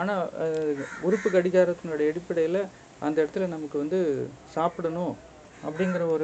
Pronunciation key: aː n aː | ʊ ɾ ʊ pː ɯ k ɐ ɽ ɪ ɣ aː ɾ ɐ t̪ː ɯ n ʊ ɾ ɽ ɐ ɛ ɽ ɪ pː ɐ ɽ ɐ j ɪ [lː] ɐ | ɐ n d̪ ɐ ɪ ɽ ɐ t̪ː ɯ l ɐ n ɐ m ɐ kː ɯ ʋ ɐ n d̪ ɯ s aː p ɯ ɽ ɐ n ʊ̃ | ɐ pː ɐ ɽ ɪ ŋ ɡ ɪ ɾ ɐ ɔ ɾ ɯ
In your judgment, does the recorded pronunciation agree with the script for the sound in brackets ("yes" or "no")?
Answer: no